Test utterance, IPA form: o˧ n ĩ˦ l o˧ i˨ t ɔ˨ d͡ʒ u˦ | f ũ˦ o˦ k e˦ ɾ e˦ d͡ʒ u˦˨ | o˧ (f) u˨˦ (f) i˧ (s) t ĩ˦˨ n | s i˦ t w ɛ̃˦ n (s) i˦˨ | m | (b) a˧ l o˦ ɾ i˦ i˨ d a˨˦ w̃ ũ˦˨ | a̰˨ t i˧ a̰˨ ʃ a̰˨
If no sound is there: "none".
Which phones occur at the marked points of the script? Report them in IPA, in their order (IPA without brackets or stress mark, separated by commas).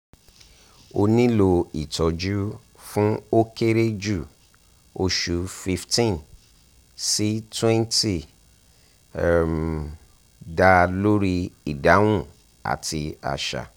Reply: ʃ, f, f, t, d